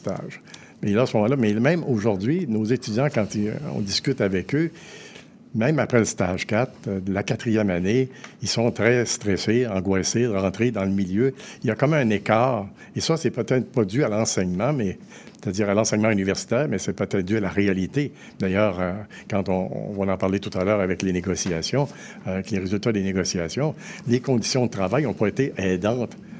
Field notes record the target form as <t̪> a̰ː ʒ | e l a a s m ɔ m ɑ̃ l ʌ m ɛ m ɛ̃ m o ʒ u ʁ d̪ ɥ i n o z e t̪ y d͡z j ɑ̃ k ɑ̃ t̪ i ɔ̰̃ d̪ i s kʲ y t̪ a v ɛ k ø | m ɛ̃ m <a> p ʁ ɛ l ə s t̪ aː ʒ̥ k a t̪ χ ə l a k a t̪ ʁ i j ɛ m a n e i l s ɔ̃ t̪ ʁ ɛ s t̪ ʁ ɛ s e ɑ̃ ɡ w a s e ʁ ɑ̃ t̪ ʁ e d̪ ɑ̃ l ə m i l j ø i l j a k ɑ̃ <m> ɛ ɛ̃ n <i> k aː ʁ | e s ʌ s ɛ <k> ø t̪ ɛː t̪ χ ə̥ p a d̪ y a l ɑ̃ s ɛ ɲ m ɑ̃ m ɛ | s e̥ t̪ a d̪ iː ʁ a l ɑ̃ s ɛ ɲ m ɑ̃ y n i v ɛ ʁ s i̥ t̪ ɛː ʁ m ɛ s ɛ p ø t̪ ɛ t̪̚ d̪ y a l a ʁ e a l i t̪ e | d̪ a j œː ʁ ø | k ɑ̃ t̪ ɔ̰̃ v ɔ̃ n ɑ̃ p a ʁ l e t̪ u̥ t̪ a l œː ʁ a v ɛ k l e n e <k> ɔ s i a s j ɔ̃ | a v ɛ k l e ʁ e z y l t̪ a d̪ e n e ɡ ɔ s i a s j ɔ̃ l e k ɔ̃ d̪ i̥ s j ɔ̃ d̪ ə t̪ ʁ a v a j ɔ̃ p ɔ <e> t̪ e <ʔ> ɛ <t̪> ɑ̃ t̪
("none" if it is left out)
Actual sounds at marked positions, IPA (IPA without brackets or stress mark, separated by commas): t̪, a, m, e, p, ɡ, e, ʔ, d̪